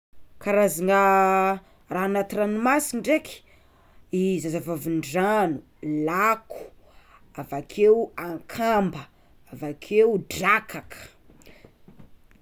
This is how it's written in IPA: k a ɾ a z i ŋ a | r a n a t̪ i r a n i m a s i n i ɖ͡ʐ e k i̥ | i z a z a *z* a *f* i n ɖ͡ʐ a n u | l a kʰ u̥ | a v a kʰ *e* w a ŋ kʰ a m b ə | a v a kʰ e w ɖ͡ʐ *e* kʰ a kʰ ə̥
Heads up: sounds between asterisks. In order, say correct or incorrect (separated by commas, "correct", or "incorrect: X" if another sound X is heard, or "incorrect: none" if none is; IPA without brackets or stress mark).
incorrect: v, incorrect: v, correct, incorrect: a